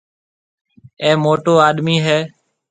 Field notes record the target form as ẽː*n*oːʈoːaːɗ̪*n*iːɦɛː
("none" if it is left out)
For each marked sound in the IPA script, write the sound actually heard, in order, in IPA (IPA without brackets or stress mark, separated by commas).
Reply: m, m